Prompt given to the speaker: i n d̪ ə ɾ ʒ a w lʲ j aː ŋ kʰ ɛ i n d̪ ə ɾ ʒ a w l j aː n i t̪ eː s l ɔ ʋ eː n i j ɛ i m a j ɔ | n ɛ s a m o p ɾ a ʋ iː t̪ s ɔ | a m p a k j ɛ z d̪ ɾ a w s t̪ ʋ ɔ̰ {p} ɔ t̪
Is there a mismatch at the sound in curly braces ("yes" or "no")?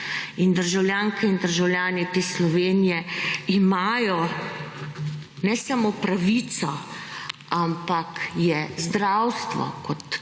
yes